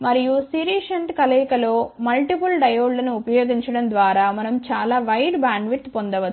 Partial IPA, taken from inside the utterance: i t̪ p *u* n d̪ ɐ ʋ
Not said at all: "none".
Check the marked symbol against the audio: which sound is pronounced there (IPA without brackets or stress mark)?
o